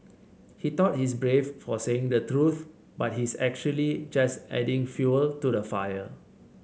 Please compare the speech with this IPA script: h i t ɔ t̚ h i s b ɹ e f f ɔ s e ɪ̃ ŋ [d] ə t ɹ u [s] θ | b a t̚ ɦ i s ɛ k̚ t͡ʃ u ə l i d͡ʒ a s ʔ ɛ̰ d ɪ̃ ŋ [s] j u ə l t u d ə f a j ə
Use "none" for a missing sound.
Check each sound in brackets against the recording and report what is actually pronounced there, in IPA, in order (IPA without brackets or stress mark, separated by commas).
d, none, f